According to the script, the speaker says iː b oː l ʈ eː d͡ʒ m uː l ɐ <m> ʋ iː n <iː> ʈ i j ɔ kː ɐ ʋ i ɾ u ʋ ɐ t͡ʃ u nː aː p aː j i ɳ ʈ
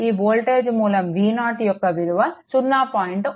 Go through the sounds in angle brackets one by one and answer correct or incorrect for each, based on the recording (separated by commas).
correct, incorrect